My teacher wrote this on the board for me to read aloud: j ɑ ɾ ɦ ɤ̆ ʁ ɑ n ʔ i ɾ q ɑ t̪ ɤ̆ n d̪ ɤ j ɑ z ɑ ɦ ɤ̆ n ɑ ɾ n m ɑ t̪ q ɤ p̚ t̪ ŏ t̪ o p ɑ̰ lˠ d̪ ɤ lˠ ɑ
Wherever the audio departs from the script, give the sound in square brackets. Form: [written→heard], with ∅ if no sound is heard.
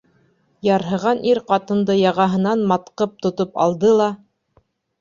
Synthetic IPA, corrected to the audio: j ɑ ɾ ɦ ɤ̆ ʁ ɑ n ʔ i ɾ q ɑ t̪ ɤ̆ n d̪ ɤ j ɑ [z→ʁ] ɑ ɦ ɤ̆ n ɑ [ɾ→∅] n m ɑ t̪ q ɤ p̚ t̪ ŏ t̪ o p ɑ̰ lˠ d̪ ɤ lˠ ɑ